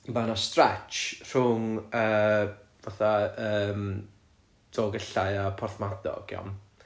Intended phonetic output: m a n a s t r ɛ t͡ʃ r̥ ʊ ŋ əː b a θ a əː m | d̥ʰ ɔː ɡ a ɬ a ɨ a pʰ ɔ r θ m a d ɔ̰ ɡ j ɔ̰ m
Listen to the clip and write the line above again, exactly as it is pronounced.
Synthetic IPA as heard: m a n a s t r ɛ t͡ʃ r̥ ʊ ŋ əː v a θ a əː m | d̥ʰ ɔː ɡ ə ɬ a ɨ a pʰ ɔ r θ m a d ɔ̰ ɡ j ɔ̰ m